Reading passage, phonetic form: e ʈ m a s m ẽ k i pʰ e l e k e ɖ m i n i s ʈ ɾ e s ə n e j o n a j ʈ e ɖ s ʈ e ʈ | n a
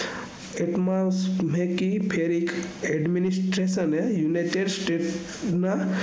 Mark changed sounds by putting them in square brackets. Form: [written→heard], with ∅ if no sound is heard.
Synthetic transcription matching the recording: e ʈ m a s m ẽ k i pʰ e [l→ɾ] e k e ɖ m i n i s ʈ ɾ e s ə n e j [o→u] n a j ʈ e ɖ s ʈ e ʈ | n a